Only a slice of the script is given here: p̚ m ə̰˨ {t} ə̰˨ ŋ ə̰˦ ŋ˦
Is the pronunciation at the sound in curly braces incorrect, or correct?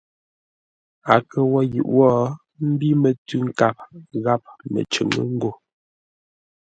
incorrect